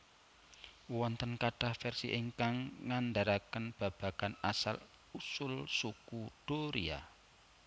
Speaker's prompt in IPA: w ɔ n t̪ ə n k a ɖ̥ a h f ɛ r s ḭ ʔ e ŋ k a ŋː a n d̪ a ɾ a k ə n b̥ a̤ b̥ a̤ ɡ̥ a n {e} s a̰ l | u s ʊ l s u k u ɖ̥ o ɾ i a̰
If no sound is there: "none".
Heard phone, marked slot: a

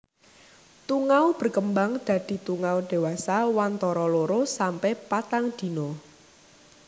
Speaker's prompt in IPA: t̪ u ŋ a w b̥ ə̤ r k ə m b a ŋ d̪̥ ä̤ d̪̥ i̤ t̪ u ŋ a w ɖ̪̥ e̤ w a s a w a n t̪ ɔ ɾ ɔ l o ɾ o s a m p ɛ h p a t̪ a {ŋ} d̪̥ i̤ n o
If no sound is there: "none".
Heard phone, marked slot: ŋ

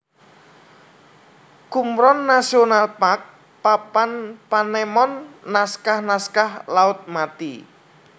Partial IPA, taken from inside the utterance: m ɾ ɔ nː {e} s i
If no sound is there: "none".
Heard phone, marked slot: a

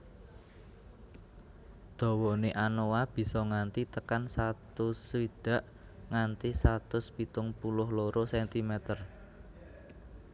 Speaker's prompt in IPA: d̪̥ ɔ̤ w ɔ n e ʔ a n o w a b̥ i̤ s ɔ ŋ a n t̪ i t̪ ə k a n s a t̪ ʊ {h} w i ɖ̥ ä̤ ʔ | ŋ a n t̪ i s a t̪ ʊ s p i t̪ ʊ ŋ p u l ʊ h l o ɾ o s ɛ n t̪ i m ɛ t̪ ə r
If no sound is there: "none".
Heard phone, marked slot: s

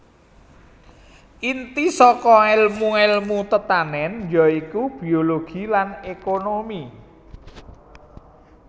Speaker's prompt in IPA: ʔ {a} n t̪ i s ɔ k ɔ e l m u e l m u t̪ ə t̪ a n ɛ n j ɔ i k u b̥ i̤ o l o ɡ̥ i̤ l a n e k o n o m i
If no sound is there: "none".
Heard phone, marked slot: i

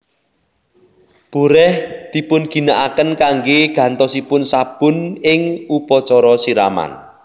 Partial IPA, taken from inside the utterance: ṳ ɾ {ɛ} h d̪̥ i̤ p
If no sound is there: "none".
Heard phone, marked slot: ɛ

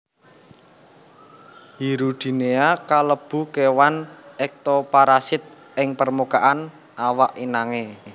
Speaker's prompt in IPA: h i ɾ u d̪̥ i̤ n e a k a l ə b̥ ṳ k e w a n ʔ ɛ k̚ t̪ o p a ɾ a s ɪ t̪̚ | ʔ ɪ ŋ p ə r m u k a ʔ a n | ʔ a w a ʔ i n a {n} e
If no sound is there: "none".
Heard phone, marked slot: ŋ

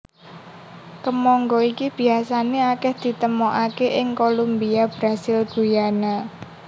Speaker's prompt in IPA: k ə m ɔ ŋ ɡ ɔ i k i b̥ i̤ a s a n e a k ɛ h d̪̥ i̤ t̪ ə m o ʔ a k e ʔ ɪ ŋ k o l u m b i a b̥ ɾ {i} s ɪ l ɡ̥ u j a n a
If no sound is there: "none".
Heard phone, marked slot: a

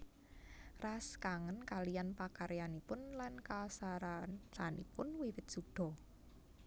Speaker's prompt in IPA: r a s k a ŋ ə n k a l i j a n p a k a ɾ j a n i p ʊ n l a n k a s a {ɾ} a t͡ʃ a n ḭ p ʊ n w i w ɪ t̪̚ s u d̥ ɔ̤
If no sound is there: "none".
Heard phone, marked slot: ɾ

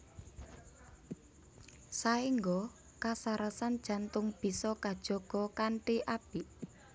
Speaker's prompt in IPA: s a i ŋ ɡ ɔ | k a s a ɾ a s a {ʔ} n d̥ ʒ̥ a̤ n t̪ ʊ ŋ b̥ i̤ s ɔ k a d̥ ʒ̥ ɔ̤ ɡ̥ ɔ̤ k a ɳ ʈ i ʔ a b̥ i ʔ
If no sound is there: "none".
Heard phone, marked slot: none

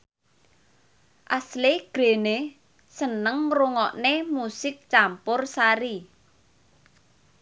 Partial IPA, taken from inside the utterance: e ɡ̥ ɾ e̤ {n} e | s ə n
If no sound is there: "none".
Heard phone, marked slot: n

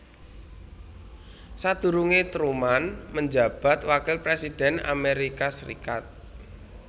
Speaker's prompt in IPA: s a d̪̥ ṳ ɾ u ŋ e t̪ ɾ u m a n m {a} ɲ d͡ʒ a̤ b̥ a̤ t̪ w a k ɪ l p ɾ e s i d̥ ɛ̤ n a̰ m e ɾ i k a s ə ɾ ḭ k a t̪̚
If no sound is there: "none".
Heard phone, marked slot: ə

